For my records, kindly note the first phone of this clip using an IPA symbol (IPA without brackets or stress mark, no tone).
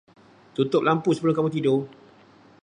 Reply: t̪